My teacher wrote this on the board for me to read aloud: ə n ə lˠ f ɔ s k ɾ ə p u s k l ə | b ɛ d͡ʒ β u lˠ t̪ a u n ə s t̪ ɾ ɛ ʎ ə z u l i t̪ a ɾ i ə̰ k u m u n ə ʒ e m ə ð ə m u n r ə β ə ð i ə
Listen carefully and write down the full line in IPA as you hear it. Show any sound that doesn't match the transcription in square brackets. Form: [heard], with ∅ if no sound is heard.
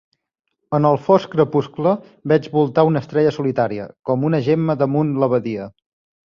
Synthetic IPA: ə n ə lˠ f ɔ s k ɾ ə p u s k l ə | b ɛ d͡ʒ β u lˠ t̪ a u n ə s t̪ ɾ ɛ ʎ ə [s] u l i t̪ a ɾ i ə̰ k [ɔ] m u n ə ʒ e m ə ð ə m u n [l] ə β ə ð i ə